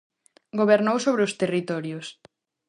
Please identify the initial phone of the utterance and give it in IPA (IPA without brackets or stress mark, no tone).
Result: ɡ